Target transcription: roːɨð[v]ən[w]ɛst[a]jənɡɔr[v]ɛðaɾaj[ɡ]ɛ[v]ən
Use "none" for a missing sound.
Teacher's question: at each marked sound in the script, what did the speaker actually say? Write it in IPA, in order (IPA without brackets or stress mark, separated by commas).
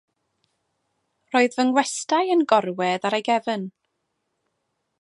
v, w, a, w, ɡ, v